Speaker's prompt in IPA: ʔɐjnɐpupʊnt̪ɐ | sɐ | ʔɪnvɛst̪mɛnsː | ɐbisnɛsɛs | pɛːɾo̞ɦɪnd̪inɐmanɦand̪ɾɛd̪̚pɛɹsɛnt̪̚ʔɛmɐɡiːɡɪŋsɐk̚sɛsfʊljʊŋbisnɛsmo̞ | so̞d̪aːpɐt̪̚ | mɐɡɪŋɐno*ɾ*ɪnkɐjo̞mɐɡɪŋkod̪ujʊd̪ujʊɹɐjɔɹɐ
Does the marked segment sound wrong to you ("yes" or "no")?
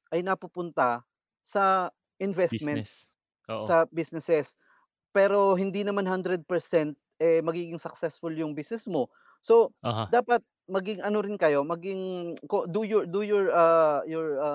no